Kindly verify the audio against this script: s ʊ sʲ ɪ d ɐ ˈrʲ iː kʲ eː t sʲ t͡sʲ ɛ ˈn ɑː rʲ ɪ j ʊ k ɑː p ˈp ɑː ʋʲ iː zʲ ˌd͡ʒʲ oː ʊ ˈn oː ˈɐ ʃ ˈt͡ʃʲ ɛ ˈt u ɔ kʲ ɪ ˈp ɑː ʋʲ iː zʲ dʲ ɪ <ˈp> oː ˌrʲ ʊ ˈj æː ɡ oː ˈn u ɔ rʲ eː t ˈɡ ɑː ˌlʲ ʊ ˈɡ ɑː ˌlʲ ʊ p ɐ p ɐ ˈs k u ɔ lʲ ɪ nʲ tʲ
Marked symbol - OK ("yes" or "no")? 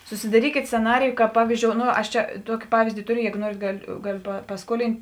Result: no